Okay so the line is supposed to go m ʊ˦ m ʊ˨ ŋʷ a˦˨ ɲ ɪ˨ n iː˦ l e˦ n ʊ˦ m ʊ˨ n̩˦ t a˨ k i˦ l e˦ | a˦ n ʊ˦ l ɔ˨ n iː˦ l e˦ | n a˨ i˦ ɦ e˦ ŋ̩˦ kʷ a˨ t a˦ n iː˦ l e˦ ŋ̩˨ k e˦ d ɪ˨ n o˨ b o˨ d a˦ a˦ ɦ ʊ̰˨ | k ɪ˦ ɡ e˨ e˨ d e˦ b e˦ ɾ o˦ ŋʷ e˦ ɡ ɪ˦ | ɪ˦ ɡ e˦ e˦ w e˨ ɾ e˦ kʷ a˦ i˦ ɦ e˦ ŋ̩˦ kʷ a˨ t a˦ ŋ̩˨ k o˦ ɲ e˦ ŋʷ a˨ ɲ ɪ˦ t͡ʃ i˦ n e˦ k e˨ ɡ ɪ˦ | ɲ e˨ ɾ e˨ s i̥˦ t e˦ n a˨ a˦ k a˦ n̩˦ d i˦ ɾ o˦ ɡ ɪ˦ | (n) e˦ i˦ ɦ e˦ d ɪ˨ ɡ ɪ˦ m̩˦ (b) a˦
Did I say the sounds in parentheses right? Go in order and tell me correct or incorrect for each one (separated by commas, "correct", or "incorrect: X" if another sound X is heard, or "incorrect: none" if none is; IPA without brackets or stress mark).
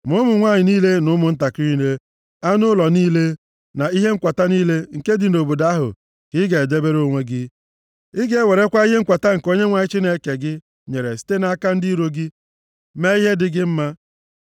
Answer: incorrect: m, incorrect: m